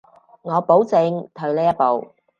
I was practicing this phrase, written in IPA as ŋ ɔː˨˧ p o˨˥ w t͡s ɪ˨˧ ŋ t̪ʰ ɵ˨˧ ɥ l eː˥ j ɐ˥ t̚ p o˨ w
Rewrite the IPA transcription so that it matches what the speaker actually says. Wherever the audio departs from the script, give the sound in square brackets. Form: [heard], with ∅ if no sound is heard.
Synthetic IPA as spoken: ŋ ɔː˨˧ p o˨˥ w t͡s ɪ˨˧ ŋ t̪ʰ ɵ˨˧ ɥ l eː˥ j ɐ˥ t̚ p o˨ w